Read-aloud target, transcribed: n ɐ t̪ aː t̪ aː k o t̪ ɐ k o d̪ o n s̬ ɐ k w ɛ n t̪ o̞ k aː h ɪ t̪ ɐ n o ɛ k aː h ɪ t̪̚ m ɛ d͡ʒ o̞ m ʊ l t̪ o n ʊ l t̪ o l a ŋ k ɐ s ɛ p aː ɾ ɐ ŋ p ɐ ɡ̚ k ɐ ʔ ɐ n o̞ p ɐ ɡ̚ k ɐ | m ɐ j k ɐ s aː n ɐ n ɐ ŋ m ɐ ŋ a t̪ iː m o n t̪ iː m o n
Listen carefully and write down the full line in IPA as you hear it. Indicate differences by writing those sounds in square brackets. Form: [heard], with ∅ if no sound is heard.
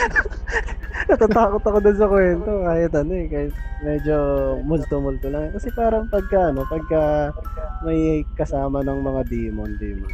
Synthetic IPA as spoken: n ɐ t̪ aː t̪ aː k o t̪ ɐ k o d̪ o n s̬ ɐ k w ɛ n t̪ o̞ k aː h ɪ t̪ ɐ n o ɛ k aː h ɪ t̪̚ m ɛ d͡ʒ o̞ m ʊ l t̪ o [m] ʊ l t̪ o l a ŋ k ɐ s ɛ p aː ɾ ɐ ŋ p ɐ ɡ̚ k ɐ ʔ ɐ n o̞ p ɐ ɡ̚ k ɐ | m ɐ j k ɐ s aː [m] ɐ n ɐ ŋ m ɐ ŋ a [d̪] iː m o n [d̪] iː m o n